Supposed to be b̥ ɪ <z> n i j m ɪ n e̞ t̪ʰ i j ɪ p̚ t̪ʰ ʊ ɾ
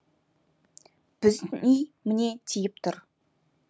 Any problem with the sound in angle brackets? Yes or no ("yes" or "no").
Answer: no